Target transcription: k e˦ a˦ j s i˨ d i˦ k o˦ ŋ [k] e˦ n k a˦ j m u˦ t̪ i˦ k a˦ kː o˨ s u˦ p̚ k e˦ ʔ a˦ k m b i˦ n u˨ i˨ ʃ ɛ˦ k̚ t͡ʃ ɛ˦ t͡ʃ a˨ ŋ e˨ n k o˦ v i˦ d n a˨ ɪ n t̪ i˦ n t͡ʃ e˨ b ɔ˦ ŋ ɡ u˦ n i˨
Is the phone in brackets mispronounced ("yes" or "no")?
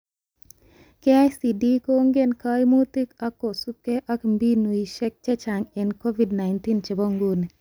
yes